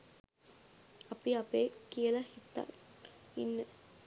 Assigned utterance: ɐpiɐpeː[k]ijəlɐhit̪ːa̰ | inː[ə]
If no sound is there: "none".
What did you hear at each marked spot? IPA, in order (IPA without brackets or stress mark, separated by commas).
k, ə